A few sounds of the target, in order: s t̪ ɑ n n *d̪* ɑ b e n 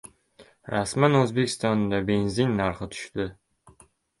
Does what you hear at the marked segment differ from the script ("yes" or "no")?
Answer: no